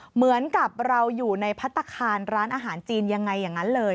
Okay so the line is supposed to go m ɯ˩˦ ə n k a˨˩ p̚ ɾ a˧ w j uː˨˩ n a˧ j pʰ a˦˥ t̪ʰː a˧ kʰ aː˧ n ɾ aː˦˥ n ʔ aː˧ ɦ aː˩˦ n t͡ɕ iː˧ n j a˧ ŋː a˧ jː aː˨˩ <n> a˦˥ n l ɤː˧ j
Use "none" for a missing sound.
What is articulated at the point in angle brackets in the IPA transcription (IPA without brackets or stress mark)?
ŋ